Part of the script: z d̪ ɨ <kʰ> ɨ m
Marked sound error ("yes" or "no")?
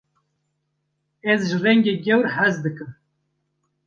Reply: yes